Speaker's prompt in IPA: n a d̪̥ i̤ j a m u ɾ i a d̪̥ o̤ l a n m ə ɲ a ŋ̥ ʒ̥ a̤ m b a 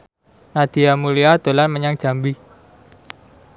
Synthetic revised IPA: n a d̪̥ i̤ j a m u l i a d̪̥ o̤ l a n m ə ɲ a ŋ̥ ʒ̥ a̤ m b i